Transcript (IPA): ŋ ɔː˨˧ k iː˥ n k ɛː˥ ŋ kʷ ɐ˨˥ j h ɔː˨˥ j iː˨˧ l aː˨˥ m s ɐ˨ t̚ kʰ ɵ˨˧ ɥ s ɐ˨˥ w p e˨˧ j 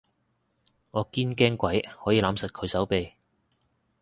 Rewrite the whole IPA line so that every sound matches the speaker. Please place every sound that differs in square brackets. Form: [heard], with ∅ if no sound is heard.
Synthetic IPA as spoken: ŋ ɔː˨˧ k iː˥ n k ɛː˥ ŋ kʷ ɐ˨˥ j h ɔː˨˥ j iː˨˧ l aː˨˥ m s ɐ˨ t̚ kʰ ɵ˨˧ ɥ s ɐ˨˥ w p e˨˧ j